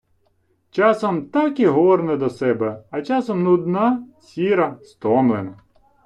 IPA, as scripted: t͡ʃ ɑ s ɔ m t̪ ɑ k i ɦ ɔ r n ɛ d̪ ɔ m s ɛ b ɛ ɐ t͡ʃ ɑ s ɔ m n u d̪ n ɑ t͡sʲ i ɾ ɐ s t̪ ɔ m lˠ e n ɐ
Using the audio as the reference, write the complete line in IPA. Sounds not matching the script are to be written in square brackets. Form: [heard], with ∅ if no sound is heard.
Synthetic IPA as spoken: t͡ʃ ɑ s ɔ m t̪ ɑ k i ɦ ɔ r n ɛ d̪ ɔ [∅] s ɛ b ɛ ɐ t͡ʃ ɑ s ɔ m n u d̪ n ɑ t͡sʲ i ɾ ɐ s t̪ ɔ m lˠ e n ɐ

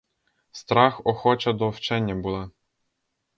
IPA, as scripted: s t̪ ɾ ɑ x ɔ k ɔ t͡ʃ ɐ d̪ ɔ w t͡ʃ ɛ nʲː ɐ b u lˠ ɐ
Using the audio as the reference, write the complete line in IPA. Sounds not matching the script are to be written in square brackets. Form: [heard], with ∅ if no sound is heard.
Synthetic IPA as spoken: s t̪ ɾ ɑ x ɔ [x] ɔ t͡ʃ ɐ d̪ ɔ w t͡ʃ ɛ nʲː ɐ b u lˠ [ɑ]

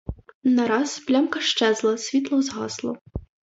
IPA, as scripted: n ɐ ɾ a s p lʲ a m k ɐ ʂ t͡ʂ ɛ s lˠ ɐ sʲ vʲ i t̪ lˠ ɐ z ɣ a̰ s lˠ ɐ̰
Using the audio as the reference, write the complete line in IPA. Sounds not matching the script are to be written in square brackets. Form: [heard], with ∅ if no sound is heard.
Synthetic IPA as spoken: n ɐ ɾ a s p lʲ a m k ɐ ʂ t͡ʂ ɛ [z] lˠ ɐ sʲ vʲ i t̪ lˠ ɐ z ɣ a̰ s lˠ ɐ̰

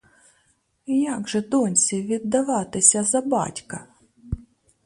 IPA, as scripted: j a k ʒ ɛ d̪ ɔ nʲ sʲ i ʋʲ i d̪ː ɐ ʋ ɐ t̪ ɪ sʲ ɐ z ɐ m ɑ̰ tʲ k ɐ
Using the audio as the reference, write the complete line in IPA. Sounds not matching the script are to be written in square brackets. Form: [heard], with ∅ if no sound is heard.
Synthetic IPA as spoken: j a [ɡ] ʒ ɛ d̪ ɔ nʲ sʲ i ʋʲ i d̪ː ɐ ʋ [ɑ] t̪ ɪ sʲ ɐ z ɐ [b] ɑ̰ tʲ k ɐ

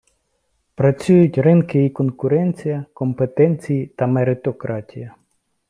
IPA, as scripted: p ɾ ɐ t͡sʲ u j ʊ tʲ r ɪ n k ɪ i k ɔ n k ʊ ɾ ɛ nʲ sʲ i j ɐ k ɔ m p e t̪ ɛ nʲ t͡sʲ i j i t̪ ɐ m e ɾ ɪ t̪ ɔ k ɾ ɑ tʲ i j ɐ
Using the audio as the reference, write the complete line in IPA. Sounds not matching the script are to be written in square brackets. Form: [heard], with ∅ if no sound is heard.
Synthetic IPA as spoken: p ɾ ɐ t͡sʲ u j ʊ tʲ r ɪ n k ɪ i k ɔ n k ʊ ɾ ɛ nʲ [t͡sʲ] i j ɐ k ɔ m p e t̪ ɛ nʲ t͡sʲ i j i t̪ ɐ m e ɾ ɪ t̪ ɔ k ɾ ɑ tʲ i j ɐ

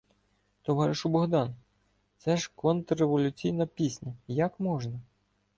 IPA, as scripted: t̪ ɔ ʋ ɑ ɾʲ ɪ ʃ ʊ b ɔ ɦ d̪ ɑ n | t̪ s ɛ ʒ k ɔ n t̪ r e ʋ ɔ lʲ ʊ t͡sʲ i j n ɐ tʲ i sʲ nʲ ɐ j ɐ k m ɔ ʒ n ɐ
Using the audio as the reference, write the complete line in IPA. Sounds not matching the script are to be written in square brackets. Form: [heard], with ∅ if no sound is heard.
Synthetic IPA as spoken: t̪ ɔ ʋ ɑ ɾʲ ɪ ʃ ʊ b ɔ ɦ d̪ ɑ n | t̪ s ɛ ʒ k ɔ n t̪ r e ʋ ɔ lʲ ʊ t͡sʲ i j n ɐ [pʲ] i sʲ nʲ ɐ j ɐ k m ɔ ʒ n ɐ

